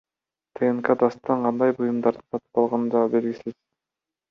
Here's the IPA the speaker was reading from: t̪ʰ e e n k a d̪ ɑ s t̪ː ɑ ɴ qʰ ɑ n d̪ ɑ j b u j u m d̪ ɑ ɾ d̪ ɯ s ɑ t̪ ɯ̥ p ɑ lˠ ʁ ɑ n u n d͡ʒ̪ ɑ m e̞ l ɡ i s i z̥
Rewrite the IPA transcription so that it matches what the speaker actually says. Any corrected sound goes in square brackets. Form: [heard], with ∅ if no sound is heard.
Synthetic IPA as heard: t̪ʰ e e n k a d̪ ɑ s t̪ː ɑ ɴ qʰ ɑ n d̪ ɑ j b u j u m d̪ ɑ ɾ d̪ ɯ s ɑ t̪ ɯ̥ p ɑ lˠ ʁ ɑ n [ɯ] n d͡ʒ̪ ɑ [b] e̞ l ɡ i s i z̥